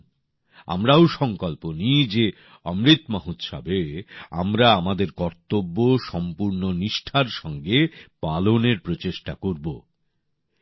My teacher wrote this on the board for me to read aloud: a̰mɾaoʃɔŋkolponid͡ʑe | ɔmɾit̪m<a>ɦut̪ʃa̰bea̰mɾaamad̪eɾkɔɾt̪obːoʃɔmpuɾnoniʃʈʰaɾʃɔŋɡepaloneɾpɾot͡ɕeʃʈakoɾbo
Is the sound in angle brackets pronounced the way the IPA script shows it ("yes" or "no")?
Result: yes